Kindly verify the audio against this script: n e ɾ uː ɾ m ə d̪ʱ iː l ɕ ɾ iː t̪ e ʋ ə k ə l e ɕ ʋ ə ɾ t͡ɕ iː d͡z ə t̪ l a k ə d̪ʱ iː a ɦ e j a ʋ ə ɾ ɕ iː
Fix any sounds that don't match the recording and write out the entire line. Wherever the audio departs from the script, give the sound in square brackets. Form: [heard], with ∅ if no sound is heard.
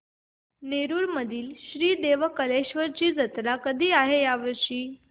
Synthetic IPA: n e ɾ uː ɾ m ə d̪ʱ iː l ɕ ɾ iː [d̪] e ʋ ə k ə l e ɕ ʋ ə ɾ t͡ɕ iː d͡z ə t̪ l a k ə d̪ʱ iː a ɦ e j a ʋ ə ɾ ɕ iː